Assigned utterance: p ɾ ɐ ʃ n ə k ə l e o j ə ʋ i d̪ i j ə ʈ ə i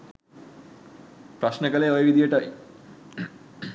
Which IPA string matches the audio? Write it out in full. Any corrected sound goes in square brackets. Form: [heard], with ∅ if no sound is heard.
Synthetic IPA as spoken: p ɾ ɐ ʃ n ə k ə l e o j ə ʋ i d̪ i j ə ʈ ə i